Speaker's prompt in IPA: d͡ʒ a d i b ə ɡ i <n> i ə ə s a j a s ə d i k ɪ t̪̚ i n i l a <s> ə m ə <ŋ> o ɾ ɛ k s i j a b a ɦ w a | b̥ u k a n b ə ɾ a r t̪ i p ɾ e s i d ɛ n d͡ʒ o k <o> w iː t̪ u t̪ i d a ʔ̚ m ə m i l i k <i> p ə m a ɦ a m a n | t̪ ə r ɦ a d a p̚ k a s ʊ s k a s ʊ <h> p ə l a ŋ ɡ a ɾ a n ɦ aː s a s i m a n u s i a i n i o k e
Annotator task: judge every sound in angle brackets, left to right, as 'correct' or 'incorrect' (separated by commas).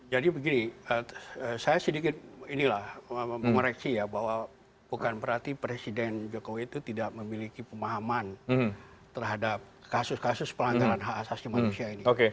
correct, incorrect, correct, correct, correct, incorrect